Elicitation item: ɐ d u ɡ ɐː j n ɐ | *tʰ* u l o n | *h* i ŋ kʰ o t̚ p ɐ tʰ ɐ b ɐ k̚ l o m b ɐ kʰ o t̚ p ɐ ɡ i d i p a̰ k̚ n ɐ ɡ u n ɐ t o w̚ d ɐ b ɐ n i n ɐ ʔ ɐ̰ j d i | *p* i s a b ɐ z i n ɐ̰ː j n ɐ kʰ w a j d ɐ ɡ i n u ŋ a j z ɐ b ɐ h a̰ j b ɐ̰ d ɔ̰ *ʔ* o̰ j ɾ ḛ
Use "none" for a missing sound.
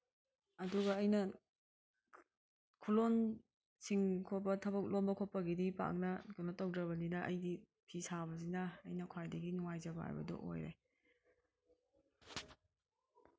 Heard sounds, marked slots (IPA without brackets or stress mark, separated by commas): kʰ, s, pʰ, ʔ